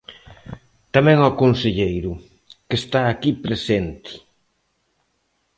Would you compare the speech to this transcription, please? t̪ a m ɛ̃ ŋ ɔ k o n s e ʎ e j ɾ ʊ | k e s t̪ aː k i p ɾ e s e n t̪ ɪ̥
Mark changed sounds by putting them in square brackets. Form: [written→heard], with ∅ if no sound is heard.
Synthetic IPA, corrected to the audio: t̪ a m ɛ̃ ŋ ɔ k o n s e ʎ e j ɾ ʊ | k e s t̪ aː k i p ɾ e s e n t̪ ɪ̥